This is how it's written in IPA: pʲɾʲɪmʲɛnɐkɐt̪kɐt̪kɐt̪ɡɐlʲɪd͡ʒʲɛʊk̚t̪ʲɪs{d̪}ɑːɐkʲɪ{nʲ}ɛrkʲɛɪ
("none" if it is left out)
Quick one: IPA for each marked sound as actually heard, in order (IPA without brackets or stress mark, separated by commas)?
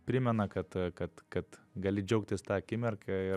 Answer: t̪, mʲ